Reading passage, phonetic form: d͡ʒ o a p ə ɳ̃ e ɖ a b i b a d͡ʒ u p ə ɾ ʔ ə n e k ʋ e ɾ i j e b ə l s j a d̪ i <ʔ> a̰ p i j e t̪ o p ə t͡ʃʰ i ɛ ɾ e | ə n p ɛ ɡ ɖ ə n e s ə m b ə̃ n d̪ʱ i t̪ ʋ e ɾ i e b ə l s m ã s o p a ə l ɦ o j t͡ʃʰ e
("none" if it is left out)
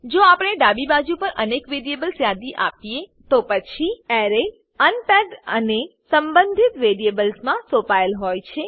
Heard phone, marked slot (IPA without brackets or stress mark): ʔ